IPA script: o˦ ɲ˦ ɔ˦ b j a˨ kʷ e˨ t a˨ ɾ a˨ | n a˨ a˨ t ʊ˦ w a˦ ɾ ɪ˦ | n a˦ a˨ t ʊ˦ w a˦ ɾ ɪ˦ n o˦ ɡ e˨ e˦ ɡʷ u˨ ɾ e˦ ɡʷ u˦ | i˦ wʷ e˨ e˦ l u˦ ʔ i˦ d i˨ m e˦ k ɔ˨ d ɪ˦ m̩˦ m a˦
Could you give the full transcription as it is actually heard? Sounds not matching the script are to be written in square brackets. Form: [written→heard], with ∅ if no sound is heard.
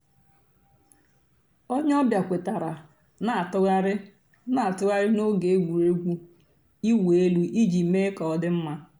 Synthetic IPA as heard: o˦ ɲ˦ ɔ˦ b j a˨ kʷ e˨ t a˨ ɾ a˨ | n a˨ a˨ t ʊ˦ [w→ɣ] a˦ ɾ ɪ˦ | n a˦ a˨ t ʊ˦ [w→ɣ] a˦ ɾ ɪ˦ n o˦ ɡ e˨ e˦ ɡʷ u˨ ɾ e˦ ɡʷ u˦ | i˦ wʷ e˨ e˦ l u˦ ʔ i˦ [d→d͡ʒ] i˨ m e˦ k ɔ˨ d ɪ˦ m̩˦ m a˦

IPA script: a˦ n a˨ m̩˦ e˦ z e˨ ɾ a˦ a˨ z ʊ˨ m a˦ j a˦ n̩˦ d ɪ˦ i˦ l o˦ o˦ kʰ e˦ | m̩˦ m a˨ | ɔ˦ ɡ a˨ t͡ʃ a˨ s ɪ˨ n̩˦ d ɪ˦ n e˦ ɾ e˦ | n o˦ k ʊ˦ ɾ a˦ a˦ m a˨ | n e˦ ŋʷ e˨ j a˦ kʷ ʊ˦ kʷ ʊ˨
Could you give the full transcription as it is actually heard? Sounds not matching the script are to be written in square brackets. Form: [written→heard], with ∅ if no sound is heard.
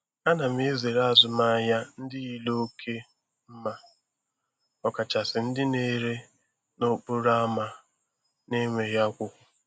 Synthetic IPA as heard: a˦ n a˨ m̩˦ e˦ z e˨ ɾ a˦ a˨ z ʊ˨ m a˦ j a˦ n̩˦ d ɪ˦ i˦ l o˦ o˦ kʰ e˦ | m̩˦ m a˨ | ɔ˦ [ɡ→k] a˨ t͡ʃ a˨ s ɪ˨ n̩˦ d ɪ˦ n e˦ ɾ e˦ | n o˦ [k→k͡p] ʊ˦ ɾ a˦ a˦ m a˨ | n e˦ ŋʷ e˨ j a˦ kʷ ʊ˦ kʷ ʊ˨

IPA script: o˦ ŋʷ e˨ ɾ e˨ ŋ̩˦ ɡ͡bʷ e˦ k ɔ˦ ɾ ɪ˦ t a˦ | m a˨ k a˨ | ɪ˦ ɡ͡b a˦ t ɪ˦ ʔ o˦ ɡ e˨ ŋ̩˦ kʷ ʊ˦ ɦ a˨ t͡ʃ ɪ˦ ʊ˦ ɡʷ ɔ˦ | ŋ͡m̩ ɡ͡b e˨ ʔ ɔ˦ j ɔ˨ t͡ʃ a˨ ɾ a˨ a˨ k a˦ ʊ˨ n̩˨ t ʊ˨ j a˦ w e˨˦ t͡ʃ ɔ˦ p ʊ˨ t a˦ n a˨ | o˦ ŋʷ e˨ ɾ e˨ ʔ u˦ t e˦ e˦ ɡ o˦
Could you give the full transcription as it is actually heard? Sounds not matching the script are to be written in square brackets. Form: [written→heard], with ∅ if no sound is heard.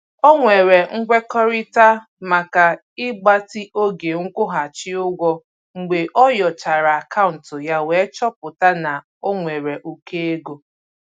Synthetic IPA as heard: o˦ ŋʷ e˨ ɾ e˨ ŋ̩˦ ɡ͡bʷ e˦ k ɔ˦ ɾ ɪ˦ t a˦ | m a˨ k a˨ | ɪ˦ ɡ͡b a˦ t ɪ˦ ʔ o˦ ɡ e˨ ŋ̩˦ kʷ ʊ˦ ɦ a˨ t͡ʃ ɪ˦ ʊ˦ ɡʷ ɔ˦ | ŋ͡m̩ ɡ͡b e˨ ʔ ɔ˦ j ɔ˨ t͡ʃ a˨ ɾ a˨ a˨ k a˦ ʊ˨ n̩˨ t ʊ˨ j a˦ w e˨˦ t͡ʃ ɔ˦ p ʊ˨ t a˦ n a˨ | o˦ ŋʷ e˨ ɾ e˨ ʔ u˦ [t→k] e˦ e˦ ɡ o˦

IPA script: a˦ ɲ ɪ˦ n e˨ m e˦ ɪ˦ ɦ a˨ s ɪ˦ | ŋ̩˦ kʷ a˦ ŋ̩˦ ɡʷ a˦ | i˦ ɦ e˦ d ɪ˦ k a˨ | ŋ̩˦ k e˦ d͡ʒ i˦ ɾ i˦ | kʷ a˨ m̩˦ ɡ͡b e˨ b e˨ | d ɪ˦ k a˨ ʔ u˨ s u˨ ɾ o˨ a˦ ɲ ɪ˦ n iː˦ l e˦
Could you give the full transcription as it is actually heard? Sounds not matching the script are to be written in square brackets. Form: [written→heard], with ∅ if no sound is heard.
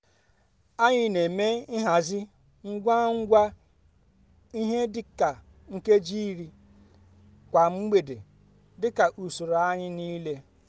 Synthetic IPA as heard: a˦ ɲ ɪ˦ n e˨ m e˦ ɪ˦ ɦ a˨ [s→z] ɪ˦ | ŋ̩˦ [kʷ→ɡʷ] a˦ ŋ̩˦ ɡʷ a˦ | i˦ ɦ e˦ d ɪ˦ k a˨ | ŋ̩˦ k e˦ d͡ʒ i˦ ɾ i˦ | kʷ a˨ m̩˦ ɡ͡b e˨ [b→d] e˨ | d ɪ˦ k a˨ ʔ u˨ s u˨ ɾ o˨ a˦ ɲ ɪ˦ n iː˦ l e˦

